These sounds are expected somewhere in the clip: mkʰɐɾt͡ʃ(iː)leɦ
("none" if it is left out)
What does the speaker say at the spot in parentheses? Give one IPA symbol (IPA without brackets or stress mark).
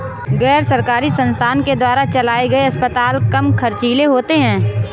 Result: iː